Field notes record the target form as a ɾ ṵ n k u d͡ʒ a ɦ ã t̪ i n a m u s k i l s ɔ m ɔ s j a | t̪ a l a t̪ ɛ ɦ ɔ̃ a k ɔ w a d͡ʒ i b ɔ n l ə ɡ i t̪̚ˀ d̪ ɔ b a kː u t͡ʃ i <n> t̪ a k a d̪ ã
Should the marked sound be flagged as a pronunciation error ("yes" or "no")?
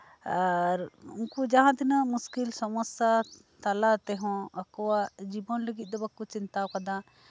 no